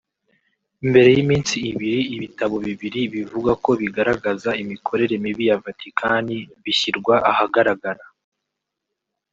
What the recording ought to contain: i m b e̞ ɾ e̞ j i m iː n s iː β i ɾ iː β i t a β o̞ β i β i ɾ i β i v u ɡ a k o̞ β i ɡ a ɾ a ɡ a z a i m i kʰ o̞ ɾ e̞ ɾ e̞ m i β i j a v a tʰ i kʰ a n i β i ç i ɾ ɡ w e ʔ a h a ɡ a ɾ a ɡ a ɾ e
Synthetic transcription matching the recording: i m b e̞ ɾ e̞ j i m iː n s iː β i ɾ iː β i t a β o̞ β i β i ɾ i β i v u ɡ a k o̞ β i ɡ a ɾ a ɡ a z a i m i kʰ o̞ ɾ e̞ ɾ e̞ m i β i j a v a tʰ i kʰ a n i β i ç i ɾ ɡ w a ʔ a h a ɡ a ɾ a ɡ a ɾ a